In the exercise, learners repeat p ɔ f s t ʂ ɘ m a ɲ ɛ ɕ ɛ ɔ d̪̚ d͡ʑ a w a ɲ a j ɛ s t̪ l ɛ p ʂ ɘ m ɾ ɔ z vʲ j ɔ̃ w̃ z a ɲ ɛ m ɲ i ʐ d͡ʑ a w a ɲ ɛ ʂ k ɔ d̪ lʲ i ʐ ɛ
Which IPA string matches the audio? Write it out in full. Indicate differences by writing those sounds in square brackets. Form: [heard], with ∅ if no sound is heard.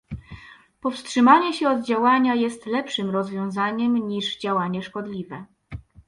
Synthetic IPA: p ɔ f s t ʂ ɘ m a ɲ ɛ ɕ ɛ ɔ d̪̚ d͡ʑ a w a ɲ a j ɛ s t̪ l ɛ p ʂ ɘ m ɾ ɔ z vʲ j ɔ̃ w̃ z a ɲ ɛ m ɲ i ʐ d͡ʑ a w a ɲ ɛ ʂ k ɔ d̪ lʲ i [v] ɛ